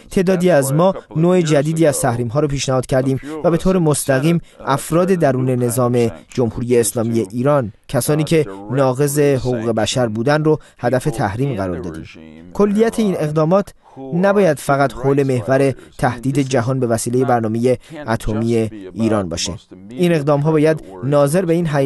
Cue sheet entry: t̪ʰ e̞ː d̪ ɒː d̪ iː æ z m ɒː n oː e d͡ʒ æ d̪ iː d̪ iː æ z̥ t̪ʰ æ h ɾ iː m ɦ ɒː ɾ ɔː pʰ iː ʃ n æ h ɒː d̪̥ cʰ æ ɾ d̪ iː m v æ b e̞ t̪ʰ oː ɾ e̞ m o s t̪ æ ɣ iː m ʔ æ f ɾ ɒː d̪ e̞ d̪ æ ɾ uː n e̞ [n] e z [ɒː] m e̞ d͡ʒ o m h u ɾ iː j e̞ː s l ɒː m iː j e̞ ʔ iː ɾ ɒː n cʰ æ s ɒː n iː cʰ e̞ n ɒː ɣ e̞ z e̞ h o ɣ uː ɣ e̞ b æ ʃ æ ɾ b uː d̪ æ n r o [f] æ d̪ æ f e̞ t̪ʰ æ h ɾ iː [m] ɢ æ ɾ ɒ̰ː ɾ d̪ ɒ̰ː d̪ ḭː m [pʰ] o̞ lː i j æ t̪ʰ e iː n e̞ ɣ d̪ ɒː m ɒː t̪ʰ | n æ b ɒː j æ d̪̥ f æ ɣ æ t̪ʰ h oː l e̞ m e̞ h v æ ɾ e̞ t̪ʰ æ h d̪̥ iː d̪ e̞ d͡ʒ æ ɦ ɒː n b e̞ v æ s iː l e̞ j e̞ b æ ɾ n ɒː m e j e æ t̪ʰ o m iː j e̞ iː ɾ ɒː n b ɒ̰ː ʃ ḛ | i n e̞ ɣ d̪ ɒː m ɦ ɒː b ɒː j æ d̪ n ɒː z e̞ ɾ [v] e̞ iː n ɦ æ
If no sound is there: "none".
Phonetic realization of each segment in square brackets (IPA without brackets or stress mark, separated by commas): n, ɒː, h, m, kʰ, b